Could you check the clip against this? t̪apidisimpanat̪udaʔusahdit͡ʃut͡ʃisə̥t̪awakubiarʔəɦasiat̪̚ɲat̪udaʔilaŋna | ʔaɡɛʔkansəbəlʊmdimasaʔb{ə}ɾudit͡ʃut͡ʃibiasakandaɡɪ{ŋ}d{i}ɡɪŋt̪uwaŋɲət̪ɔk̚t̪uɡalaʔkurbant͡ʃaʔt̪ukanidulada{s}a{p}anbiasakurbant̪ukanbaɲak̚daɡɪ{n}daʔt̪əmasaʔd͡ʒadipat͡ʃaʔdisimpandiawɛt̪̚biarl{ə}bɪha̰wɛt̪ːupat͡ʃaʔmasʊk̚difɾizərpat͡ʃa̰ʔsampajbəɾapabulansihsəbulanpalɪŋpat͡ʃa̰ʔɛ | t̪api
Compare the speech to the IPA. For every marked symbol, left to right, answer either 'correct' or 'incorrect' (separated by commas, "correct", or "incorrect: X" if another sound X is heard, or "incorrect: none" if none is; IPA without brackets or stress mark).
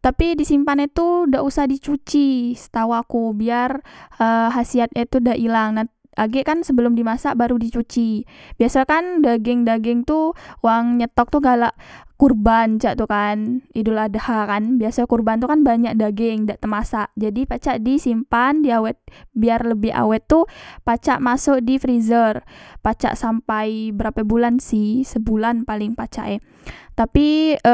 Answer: incorrect: a, correct, incorrect: a, incorrect: h, incorrect: k, incorrect: ŋ, correct